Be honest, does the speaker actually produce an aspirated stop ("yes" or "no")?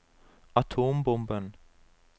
yes